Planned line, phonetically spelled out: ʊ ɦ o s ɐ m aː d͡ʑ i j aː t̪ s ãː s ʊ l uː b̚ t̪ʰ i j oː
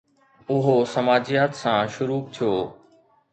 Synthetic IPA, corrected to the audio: ʊ ɦ o s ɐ m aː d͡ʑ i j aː t̪ s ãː ʃ ʊ ɾ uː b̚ t̪ʰ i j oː